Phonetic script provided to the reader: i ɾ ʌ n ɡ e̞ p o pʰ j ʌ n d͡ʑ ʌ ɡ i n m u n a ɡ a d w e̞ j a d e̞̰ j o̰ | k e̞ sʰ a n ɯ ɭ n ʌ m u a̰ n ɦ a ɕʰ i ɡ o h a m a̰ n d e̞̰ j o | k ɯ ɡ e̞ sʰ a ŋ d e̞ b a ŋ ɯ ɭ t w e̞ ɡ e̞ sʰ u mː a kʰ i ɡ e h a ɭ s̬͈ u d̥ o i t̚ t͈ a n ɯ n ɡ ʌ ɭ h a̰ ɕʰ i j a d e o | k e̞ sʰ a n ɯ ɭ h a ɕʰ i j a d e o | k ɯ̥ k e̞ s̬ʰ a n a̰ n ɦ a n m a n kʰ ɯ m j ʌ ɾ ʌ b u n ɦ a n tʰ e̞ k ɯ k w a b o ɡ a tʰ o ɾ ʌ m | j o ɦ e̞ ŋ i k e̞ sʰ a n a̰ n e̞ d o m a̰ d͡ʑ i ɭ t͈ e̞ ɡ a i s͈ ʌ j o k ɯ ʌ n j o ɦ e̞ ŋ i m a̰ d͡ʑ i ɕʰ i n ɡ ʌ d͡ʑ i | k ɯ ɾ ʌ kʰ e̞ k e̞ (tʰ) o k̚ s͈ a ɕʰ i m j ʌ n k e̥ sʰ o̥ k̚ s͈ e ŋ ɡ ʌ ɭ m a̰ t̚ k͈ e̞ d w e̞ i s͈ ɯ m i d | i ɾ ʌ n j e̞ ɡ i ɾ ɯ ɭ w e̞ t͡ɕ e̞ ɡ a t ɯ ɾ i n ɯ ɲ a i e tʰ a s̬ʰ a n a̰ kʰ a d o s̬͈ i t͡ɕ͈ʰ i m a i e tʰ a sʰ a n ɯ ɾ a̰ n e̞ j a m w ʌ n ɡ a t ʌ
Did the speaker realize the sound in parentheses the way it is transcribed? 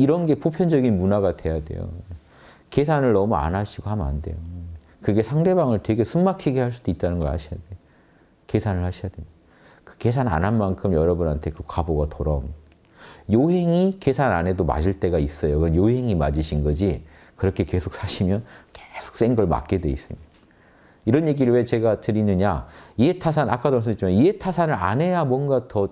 no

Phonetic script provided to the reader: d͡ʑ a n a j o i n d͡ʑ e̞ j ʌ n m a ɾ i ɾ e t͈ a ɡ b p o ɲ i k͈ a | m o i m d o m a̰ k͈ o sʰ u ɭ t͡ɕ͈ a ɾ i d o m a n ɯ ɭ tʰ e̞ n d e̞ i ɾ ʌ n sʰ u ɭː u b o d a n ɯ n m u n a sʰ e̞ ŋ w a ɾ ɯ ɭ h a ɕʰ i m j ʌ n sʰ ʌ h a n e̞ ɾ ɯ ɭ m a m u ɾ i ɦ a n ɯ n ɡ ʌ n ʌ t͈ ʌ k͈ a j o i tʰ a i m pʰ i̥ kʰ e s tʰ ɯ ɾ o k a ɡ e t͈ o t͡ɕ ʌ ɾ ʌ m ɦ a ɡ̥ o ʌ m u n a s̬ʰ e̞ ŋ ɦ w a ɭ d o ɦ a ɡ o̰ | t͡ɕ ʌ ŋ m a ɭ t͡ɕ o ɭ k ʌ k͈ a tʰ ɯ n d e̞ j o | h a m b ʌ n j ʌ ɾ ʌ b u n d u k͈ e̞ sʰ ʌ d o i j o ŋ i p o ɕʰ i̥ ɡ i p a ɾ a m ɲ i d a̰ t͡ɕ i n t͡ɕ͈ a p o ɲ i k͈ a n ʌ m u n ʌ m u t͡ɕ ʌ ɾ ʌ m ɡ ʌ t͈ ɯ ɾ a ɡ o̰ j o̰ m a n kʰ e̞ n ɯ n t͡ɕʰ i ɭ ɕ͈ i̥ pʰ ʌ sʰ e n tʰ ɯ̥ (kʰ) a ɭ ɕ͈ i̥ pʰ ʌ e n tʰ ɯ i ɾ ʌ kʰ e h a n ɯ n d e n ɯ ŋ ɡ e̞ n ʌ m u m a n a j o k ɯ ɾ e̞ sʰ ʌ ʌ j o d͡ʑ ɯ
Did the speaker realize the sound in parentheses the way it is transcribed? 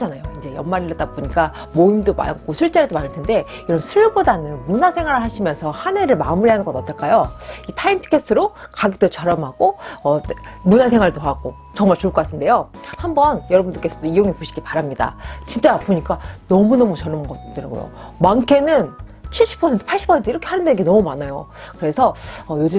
no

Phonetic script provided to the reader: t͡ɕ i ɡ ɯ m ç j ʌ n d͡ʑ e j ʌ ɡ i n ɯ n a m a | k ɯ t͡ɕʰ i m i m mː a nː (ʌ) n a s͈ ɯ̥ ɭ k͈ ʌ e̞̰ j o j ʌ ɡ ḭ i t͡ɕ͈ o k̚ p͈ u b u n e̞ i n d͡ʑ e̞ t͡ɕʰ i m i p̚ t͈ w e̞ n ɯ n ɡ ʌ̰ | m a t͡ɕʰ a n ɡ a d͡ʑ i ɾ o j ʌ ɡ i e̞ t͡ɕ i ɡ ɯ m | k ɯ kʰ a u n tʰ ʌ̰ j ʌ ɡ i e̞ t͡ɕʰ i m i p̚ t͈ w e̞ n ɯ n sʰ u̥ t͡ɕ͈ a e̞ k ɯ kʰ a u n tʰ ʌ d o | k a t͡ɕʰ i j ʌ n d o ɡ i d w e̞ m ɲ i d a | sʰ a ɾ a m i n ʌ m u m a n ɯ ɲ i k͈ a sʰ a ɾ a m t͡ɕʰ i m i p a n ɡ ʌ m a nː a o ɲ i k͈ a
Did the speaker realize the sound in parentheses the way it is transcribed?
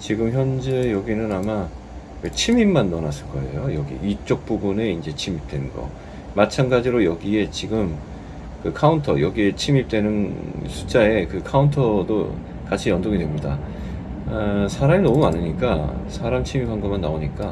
yes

